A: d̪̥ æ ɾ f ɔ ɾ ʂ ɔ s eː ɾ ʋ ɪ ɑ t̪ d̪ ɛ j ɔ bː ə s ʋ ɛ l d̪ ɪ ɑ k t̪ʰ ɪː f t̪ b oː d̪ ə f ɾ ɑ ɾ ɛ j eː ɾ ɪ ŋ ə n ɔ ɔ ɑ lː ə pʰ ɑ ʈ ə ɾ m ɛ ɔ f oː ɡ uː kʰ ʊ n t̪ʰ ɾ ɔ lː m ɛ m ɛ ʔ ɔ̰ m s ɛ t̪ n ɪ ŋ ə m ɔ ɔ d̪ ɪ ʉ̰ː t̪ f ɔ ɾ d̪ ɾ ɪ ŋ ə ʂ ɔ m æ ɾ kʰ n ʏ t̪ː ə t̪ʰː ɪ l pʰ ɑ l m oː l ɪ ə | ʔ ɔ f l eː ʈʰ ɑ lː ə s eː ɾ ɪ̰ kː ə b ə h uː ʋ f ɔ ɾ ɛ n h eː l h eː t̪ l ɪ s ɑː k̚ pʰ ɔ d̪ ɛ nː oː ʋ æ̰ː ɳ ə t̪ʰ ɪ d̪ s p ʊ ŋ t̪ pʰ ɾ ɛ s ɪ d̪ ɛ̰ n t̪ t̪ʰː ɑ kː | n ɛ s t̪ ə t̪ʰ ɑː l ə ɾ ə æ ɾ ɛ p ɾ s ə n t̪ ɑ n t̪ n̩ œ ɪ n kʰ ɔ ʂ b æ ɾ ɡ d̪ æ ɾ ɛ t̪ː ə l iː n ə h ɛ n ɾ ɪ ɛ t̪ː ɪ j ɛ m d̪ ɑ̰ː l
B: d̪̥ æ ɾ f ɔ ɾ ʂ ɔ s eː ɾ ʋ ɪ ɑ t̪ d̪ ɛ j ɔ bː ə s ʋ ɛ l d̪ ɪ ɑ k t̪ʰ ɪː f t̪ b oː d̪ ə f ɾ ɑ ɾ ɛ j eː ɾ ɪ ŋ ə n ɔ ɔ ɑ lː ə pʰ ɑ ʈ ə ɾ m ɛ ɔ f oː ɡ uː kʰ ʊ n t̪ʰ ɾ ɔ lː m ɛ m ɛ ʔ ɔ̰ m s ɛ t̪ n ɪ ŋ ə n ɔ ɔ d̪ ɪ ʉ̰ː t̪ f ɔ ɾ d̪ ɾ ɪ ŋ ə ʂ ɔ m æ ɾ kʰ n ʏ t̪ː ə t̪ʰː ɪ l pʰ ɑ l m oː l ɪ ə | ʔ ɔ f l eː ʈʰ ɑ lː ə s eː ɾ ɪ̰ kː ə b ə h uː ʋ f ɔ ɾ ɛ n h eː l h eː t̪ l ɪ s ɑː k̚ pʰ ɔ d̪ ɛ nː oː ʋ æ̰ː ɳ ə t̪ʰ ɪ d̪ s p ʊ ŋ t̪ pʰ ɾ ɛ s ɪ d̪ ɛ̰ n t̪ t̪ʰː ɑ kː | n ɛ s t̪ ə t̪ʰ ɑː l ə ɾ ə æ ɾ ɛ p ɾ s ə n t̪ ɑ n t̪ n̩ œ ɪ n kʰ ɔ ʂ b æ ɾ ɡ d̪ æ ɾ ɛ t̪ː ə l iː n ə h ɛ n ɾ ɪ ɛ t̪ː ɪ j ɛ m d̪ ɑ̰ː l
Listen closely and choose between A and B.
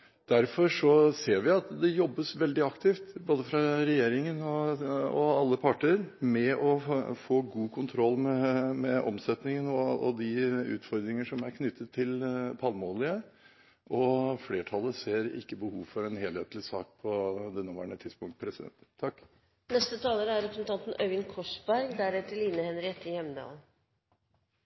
B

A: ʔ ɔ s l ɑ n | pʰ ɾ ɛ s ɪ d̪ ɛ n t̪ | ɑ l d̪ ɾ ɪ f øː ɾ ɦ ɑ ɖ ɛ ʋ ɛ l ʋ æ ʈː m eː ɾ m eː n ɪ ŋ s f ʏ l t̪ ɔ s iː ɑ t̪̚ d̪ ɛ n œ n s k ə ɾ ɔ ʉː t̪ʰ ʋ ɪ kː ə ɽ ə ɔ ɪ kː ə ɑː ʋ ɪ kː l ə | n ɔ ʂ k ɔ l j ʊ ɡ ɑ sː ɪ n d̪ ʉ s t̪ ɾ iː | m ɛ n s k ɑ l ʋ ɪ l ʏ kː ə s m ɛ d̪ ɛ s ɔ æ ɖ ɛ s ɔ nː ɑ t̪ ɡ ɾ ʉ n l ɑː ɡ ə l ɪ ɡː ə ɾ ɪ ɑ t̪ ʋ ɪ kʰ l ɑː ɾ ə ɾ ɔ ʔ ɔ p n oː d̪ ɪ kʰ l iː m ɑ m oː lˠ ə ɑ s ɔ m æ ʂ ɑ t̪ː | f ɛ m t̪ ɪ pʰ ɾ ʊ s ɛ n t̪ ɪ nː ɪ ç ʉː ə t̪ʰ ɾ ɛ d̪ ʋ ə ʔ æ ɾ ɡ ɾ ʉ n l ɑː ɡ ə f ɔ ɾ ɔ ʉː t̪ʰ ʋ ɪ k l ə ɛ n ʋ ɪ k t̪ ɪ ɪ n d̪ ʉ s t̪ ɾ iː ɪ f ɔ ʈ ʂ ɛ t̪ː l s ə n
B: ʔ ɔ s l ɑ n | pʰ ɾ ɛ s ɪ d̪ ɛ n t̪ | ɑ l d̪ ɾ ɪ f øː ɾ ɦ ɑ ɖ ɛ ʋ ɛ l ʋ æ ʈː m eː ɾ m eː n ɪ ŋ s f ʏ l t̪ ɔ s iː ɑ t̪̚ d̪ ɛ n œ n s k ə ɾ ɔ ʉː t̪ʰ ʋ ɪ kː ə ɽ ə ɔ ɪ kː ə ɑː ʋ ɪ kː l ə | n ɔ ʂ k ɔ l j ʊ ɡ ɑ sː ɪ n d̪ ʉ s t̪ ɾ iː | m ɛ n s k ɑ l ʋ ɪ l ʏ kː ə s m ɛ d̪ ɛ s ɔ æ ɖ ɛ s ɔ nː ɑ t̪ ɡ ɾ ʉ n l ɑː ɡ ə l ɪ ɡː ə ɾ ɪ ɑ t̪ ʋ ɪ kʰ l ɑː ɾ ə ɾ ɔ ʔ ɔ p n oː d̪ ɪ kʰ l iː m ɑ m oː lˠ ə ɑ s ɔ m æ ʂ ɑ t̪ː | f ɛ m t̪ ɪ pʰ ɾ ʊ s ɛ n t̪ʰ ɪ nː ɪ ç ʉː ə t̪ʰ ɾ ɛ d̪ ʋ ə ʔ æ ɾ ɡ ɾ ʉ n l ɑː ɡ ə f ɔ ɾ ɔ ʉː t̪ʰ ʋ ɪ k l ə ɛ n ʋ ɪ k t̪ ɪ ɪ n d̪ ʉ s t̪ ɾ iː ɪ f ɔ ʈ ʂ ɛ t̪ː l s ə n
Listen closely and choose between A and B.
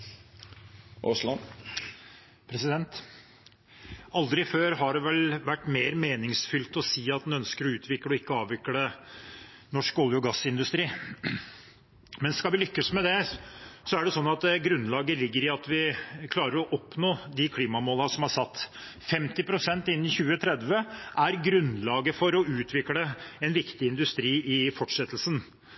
A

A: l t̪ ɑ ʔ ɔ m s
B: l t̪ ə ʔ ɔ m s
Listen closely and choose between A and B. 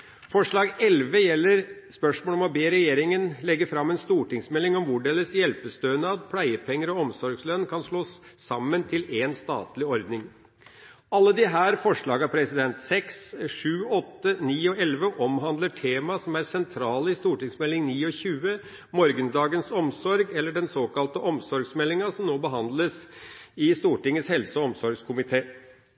B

